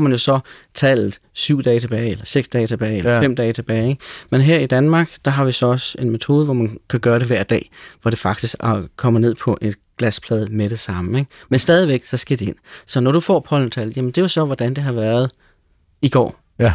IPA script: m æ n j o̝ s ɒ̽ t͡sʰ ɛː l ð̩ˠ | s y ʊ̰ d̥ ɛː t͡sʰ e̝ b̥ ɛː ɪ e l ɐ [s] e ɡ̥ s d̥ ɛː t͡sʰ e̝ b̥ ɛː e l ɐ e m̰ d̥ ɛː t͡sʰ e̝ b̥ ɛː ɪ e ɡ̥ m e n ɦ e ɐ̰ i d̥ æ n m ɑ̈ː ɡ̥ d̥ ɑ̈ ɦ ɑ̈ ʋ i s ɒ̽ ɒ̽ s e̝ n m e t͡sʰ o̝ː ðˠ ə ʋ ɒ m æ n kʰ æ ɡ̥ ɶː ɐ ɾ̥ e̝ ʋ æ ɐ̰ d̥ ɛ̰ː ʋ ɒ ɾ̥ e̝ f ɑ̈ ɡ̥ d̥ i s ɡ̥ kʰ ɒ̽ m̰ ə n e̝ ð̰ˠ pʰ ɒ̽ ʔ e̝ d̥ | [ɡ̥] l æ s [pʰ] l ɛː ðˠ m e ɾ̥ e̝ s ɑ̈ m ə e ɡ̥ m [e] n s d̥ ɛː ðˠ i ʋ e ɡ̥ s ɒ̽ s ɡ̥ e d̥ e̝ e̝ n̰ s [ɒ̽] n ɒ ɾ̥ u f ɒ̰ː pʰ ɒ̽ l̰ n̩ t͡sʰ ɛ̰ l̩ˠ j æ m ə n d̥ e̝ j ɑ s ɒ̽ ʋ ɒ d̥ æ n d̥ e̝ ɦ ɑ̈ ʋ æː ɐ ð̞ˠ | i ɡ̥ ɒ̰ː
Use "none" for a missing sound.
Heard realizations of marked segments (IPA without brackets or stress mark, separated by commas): s, ɡ̥, pʰ, e, ɒ̽